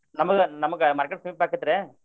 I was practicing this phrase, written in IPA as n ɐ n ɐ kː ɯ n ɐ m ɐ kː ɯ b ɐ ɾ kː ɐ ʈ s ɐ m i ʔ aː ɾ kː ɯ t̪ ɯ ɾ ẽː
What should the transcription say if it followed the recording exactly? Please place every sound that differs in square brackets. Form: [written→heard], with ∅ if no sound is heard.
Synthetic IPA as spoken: n ɐ [n→m] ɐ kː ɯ n ɐ m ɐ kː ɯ [b→m] ɐ ɾ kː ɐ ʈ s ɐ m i [ʔ→p] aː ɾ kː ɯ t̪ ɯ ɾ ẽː